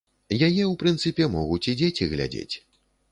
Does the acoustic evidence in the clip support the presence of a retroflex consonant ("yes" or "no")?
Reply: no